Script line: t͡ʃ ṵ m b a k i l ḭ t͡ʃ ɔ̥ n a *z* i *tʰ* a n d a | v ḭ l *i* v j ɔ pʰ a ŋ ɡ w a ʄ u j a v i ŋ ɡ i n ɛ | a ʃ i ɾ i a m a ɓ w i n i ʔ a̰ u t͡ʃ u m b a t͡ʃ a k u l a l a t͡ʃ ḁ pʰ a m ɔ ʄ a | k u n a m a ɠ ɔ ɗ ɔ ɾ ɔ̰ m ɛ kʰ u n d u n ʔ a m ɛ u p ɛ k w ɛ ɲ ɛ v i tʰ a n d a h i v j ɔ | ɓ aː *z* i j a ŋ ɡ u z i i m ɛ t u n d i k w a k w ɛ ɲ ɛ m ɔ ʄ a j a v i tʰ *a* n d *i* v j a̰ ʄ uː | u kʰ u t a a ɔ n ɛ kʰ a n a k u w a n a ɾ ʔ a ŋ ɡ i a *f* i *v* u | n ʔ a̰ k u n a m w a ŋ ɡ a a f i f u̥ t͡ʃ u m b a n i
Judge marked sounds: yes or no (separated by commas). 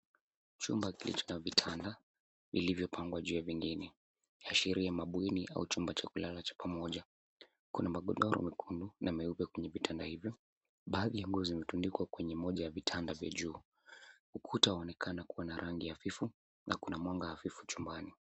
no, yes, yes, no, yes, no, yes, no